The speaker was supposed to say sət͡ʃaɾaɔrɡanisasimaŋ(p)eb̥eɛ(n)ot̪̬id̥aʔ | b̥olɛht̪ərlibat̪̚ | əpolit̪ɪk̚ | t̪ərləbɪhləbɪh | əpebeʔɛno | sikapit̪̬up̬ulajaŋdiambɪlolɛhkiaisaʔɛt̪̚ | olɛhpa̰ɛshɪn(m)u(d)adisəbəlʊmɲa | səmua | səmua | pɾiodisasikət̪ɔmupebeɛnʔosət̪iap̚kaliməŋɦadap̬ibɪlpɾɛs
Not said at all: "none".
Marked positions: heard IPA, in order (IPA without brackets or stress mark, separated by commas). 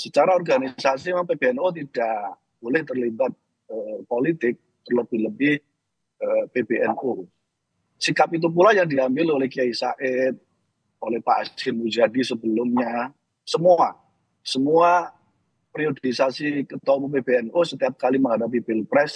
p, n, m, d͡ʒ